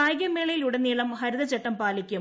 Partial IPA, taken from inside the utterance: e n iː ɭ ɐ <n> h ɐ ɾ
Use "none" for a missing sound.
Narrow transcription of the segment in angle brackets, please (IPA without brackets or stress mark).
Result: m